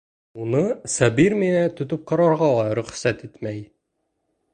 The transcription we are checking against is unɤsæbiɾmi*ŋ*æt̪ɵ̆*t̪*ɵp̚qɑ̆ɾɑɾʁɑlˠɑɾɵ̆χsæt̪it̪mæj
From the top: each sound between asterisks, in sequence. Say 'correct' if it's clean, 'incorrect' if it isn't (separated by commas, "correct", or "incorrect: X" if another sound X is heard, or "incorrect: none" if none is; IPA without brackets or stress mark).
incorrect: n, correct